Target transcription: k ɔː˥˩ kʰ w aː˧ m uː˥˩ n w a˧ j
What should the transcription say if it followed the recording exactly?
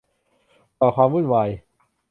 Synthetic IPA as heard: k ɔː˨˩ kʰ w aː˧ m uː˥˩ n w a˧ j